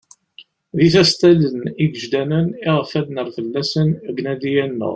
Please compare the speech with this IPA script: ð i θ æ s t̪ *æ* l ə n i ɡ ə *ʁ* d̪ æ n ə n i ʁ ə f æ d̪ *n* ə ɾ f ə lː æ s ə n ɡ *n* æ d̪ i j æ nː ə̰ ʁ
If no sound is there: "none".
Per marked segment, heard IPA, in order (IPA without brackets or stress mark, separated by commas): æ, ʒ, n, n